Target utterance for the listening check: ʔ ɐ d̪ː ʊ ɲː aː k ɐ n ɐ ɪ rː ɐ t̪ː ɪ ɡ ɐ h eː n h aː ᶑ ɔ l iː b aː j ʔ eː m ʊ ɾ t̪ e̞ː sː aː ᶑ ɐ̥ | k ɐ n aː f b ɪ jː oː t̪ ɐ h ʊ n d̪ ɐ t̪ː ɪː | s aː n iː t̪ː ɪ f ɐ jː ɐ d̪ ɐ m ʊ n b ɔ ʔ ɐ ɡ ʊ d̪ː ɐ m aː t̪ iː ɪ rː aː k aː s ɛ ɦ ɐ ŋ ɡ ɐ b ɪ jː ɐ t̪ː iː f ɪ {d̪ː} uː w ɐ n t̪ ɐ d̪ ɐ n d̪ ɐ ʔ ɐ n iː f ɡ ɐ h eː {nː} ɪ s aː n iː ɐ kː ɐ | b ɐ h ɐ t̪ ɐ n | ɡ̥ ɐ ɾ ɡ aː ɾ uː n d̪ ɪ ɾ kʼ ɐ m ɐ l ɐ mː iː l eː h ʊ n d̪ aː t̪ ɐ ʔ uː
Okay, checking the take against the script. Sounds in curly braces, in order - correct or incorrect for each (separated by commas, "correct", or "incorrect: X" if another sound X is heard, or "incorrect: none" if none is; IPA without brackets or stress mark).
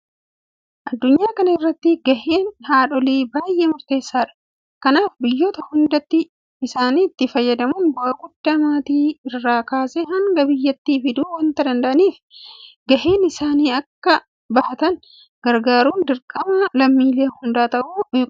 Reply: incorrect: d̪, incorrect: n